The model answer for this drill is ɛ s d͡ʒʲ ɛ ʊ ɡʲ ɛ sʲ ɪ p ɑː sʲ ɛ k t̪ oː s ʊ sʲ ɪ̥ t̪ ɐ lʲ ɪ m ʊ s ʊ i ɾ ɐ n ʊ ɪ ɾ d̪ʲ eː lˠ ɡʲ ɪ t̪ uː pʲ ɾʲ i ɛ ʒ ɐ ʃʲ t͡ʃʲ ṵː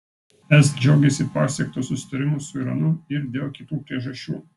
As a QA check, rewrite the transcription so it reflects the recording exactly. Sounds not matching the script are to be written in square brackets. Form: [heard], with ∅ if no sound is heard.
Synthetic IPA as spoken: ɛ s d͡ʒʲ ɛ ʊ ɡʲ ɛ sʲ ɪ p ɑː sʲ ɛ k t̪ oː s ʊ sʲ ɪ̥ t̪ ɐ [ɾʲ] ɪ m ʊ s ʊ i ɾ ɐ n ʊ ɪ ɾ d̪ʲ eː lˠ [kʲ] ɪ t̪ uː pʲ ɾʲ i ɛ ʒ ɐ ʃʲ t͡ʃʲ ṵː